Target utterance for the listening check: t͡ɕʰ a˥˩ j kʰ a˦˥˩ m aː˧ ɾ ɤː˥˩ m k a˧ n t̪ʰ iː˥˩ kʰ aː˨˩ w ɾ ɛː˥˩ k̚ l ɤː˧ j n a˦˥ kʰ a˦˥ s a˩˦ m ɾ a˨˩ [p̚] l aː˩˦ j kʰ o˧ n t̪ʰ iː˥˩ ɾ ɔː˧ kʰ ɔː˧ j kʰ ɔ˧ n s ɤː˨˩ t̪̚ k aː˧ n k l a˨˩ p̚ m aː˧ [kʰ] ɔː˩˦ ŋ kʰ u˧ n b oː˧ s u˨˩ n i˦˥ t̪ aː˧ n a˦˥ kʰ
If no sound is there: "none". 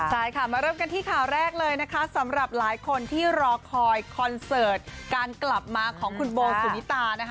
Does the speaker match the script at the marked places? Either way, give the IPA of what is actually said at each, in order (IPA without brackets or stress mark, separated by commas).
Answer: p̚, kʰ